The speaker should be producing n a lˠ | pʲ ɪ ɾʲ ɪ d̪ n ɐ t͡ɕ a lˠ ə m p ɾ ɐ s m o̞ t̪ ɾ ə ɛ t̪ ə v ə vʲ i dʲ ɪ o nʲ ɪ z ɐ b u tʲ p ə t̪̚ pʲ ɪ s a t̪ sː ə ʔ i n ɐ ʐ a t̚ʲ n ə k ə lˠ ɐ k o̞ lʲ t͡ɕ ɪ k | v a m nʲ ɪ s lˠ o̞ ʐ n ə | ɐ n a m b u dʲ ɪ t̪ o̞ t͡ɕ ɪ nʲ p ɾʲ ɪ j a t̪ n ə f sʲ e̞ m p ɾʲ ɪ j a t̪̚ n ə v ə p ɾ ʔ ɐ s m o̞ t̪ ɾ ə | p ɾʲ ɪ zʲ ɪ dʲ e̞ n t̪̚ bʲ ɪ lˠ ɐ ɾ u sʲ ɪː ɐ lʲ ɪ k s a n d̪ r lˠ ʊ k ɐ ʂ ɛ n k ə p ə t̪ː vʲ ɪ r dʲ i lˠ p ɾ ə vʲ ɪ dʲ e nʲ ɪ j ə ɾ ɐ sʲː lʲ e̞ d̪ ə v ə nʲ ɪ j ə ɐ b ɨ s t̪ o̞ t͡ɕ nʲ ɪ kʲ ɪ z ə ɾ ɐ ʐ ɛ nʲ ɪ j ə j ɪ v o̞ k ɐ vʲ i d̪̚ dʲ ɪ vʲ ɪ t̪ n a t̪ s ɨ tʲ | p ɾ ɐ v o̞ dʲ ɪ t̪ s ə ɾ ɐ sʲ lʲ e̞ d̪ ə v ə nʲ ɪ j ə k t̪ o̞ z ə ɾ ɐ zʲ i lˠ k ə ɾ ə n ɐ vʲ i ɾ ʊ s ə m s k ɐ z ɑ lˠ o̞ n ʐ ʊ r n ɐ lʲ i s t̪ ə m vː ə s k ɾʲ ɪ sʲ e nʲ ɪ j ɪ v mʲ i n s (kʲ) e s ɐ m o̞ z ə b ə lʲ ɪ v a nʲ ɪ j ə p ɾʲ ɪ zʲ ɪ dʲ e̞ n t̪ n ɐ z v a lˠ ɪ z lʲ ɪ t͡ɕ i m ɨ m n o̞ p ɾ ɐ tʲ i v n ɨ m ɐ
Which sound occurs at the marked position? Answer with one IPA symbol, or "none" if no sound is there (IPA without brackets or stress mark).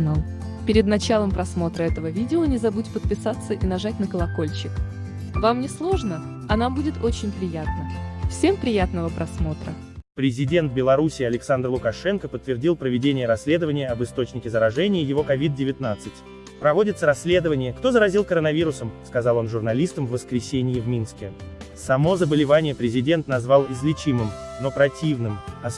kʲ